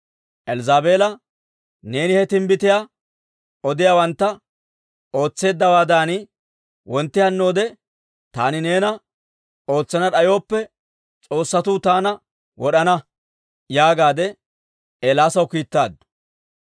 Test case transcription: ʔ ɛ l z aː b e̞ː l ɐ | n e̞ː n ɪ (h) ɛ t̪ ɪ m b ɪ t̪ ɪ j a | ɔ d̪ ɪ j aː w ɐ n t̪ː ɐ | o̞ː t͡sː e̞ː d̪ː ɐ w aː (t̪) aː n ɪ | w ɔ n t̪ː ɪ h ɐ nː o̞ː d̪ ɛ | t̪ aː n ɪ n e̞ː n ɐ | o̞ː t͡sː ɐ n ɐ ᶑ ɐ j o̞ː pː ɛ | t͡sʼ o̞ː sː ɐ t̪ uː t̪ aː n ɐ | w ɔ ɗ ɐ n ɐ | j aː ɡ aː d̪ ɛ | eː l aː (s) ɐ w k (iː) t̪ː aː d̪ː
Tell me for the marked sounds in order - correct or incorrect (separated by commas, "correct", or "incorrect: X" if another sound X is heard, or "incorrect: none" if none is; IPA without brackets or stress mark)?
correct, incorrect: d̪, correct, correct